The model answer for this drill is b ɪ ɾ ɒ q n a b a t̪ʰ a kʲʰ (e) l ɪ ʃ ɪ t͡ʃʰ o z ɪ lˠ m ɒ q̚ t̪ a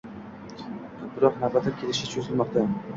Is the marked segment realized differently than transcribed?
no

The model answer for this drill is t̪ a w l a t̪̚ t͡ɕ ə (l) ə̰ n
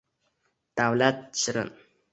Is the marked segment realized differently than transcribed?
yes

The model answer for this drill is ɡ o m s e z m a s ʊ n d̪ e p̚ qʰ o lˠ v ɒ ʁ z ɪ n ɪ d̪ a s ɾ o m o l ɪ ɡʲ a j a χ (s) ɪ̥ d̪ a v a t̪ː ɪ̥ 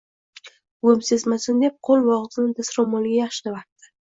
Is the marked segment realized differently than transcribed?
yes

